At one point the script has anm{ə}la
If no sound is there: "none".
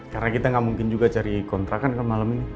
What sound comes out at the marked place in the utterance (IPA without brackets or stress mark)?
a